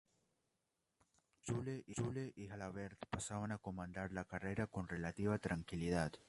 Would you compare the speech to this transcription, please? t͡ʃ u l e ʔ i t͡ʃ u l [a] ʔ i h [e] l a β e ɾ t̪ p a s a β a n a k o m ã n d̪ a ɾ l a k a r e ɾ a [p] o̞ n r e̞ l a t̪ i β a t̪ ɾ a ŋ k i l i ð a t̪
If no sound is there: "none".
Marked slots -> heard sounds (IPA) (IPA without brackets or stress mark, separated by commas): e, a, k